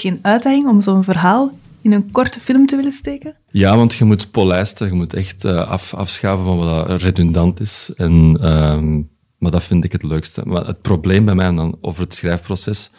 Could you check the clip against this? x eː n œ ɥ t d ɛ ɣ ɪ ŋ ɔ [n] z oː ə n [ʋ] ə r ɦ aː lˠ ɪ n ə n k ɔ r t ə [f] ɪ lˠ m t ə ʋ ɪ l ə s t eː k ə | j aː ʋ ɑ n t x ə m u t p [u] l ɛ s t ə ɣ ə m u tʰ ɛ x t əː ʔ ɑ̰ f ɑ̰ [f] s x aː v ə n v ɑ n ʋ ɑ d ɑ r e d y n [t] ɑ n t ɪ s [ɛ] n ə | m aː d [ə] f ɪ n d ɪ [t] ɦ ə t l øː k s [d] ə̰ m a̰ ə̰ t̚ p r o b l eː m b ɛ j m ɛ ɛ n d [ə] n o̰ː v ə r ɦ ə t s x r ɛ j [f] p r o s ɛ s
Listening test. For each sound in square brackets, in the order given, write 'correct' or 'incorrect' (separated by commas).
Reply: incorrect, incorrect, correct, incorrect, correct, incorrect, correct, incorrect, incorrect, incorrect, incorrect, correct